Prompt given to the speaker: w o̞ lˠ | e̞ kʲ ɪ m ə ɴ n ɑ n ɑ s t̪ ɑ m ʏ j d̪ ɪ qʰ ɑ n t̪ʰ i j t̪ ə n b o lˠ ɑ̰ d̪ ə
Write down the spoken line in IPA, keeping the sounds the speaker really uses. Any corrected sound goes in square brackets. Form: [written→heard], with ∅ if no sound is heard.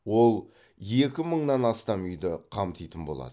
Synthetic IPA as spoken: w o̞ lˠ | e̞ kʲ ɪ m ə ɴ n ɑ n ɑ s t̪ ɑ m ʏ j d̪ ɪ qʰ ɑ [n→m] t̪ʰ i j t̪ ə n b o lˠ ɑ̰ d̪ ə